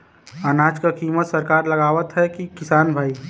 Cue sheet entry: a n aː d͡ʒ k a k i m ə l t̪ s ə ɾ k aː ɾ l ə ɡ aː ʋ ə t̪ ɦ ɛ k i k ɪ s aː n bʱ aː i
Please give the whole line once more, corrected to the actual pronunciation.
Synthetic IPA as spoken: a n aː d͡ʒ k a k i m ə t̪ s ə ɾ k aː ɾ l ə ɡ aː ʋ ə t̪ ɦ ɛ k i k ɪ s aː n bʱ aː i